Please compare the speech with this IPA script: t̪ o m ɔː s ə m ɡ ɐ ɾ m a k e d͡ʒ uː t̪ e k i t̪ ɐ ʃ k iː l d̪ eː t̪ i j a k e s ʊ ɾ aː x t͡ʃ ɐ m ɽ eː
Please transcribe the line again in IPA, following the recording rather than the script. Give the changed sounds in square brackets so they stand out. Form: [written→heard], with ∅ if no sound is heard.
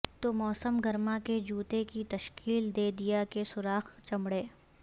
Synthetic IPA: t̪ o m ɔː s ə m ɡ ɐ ɾ m a k e d͡ʒ uː t̪ e k i t̪ ɐ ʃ k iː l d̪ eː [t̪→d̪] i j a k e s ʊ ɾ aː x t͡ʃ ɐ m ɽ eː